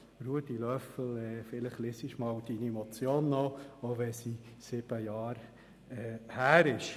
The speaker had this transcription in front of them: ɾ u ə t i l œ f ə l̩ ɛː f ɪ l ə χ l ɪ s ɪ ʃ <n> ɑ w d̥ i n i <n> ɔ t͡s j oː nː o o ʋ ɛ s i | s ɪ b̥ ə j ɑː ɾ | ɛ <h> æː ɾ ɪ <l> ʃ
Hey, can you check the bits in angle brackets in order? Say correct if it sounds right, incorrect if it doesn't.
incorrect: m, incorrect: m, correct, incorrect: none

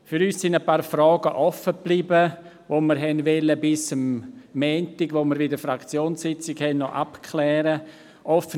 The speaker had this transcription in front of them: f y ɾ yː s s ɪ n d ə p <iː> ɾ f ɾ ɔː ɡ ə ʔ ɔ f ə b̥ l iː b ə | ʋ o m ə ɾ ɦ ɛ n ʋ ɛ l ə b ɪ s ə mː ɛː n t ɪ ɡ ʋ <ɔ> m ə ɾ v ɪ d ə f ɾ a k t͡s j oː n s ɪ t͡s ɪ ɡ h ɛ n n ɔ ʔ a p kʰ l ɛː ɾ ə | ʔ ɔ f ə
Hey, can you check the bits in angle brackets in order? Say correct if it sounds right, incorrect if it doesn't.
incorrect: aː, incorrect: o

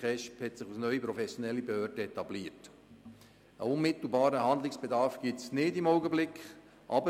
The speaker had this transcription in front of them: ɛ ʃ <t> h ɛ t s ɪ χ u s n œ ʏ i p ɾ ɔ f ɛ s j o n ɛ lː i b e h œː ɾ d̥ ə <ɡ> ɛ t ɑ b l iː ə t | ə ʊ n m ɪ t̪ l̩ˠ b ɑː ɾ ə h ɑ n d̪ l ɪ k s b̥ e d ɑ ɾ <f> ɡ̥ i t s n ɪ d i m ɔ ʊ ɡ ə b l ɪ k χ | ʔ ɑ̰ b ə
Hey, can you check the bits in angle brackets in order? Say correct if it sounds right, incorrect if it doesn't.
incorrect: p, incorrect: none, correct

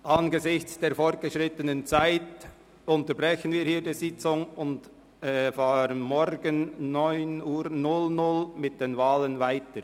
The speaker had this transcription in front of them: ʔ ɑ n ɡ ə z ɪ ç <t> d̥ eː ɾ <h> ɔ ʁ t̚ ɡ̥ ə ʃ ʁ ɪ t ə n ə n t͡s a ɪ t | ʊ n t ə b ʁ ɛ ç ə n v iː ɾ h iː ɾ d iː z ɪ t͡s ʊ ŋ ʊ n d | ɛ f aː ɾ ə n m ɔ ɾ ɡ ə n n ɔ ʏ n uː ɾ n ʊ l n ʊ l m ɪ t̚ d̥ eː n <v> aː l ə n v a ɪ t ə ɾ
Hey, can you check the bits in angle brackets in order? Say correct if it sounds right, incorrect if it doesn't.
incorrect: t͡s, incorrect: f, correct

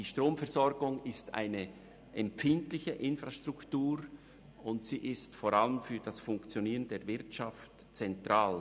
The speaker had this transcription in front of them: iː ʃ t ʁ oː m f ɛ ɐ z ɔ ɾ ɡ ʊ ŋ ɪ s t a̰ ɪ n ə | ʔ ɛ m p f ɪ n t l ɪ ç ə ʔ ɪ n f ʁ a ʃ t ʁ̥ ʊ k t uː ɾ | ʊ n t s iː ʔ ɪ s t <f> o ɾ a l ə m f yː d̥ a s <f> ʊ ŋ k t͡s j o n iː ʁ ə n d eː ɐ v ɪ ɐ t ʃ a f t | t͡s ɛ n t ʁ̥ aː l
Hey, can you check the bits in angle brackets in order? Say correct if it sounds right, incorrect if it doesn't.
correct, correct

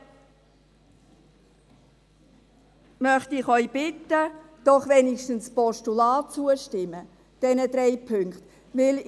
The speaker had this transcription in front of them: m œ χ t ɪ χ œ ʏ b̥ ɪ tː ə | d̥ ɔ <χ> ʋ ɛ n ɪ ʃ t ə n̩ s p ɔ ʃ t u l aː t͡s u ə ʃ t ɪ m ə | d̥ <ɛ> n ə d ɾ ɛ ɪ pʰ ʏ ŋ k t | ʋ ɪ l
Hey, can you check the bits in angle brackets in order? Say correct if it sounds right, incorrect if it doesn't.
correct, correct

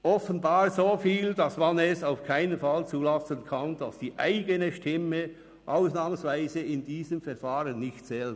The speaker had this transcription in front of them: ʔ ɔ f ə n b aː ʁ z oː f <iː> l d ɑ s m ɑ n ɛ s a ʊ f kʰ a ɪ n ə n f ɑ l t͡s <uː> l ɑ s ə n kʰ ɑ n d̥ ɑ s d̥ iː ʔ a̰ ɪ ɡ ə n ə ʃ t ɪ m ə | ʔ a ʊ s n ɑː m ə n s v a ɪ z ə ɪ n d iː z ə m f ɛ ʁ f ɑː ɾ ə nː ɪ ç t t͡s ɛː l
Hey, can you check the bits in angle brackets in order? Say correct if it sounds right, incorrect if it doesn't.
correct, correct

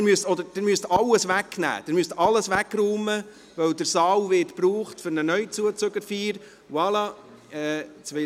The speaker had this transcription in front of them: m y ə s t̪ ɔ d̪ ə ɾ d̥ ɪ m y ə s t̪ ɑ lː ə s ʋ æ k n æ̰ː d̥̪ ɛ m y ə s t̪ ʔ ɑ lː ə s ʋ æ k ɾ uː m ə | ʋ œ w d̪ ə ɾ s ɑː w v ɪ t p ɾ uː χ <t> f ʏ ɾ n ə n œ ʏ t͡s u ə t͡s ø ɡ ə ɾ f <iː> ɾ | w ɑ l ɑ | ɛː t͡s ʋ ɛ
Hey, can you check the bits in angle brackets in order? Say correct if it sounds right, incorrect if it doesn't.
correct, correct

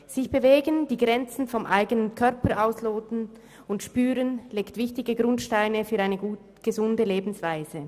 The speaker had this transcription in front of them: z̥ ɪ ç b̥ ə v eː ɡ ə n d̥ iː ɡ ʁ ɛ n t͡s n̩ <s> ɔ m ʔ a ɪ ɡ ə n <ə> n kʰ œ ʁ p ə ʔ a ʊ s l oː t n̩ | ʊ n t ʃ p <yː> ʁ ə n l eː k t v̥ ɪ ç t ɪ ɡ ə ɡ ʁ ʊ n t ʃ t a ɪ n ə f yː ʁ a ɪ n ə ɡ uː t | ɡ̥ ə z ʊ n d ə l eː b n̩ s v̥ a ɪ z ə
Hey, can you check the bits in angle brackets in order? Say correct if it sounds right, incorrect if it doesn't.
incorrect: f, correct, correct

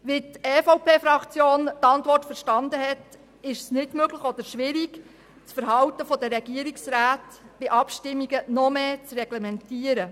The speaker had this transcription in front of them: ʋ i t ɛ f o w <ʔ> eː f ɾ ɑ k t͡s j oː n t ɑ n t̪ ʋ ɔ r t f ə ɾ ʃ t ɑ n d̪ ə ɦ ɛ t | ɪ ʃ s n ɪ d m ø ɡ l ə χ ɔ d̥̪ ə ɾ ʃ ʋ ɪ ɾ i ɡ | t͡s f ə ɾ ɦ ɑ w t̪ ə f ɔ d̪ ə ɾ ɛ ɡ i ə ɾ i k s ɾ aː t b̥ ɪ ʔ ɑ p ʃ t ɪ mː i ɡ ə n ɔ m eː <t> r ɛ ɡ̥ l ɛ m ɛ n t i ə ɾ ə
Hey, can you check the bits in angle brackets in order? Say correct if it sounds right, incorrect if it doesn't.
incorrect: p, incorrect: t͡s

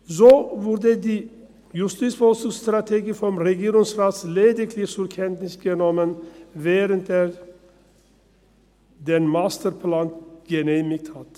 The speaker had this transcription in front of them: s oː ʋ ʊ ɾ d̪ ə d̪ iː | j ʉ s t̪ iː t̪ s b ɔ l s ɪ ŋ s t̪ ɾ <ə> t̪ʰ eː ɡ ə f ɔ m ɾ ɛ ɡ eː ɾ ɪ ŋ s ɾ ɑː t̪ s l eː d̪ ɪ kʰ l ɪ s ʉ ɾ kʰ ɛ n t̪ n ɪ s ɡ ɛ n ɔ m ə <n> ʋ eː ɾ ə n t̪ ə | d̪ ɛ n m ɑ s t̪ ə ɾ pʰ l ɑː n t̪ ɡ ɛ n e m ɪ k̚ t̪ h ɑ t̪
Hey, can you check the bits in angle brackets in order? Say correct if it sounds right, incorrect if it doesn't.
incorrect: ɑ, correct

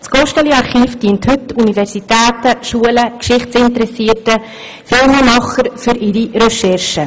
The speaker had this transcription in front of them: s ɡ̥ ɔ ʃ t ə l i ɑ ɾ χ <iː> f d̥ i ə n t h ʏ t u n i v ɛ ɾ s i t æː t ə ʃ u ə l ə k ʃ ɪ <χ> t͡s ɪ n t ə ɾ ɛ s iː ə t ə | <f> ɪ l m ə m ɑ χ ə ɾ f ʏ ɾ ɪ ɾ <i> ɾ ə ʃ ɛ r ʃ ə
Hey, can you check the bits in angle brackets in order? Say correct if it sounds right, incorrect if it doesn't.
correct, correct, correct, correct

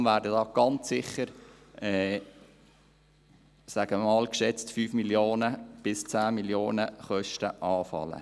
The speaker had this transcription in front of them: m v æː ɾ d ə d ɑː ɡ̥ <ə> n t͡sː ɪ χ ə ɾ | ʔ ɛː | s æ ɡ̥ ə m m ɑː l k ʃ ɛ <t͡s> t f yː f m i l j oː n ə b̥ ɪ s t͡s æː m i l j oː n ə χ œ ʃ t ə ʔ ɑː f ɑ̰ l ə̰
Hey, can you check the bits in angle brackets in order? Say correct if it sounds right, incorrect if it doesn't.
incorrect: ɑ, correct

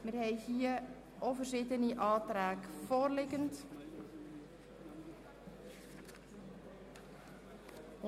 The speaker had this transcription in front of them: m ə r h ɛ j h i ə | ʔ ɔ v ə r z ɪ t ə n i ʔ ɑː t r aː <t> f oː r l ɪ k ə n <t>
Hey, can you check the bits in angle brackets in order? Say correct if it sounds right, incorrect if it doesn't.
incorrect: k, correct

